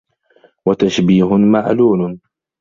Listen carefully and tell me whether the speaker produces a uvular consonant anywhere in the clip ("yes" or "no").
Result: no